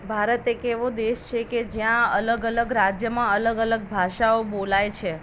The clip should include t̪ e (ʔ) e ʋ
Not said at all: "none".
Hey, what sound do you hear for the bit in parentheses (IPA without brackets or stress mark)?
k